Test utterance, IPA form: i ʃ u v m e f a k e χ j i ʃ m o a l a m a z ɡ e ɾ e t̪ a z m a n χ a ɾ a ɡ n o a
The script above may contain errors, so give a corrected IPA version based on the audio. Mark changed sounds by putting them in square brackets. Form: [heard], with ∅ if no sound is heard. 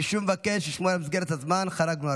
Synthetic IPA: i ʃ u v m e [v] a k e [ʃ] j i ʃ m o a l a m [i] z ɡ e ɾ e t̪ a z m a n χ a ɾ a ɡ n [u] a